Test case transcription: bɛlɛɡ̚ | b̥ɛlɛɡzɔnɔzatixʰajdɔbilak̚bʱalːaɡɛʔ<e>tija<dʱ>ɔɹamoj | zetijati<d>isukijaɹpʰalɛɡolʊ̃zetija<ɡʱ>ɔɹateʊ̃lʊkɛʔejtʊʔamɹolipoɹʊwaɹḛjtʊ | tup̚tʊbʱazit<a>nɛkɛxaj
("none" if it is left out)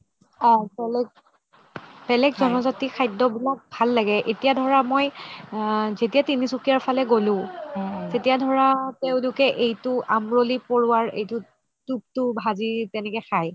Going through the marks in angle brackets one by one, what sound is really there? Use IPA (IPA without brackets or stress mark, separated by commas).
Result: e, dʱ, n, dʱ, ɛ